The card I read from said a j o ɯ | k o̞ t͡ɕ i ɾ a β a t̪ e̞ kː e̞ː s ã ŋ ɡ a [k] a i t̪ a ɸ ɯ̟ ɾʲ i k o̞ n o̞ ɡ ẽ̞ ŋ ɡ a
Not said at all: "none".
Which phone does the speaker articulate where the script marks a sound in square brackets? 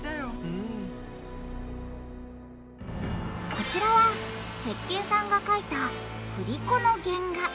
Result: k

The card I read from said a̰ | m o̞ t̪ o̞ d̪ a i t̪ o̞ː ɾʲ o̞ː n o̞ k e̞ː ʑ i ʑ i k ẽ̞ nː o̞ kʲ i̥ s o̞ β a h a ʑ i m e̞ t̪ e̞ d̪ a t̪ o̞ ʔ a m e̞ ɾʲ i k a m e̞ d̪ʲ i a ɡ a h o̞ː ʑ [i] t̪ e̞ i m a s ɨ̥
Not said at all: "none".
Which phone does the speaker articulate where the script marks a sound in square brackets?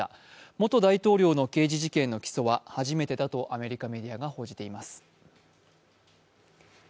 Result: i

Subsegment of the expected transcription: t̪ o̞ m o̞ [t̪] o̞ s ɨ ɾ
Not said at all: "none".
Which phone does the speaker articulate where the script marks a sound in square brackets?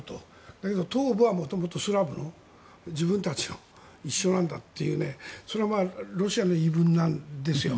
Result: t̪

